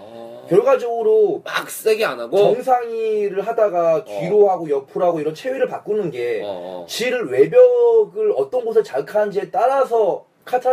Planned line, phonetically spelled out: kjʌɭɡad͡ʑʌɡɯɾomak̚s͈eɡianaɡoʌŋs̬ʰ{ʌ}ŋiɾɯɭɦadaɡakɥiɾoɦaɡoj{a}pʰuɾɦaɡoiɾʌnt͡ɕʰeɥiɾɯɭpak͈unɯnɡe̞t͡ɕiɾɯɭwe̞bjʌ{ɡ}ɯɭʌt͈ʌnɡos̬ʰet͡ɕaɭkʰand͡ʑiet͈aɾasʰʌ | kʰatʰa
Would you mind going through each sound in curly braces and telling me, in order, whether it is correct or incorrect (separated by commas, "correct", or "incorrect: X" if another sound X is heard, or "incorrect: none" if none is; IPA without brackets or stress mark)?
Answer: incorrect: a, incorrect: ʌ, correct